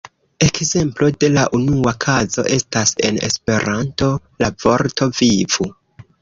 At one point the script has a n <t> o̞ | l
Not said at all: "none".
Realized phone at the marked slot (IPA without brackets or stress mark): t